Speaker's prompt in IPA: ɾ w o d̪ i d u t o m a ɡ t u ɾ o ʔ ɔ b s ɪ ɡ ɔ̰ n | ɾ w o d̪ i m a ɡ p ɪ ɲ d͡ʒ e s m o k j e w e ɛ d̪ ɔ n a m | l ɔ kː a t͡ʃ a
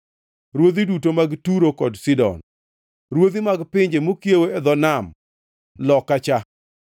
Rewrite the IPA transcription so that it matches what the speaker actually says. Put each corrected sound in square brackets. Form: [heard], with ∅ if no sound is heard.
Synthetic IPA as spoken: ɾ w o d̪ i d u t o m a ɡ t u ɾ o [k] ɔ [d] s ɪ [d] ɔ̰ n | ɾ w o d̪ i m a ɡ p ɪ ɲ d͡ʒ e [∅] m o k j e w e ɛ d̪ ɔ n a m | l ɔ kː a t͡ʃ a